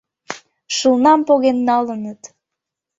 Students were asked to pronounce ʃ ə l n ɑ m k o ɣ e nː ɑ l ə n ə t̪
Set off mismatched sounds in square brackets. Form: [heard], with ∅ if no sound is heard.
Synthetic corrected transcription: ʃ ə l n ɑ m [p] o ɣ e nː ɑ l ə n ə t̪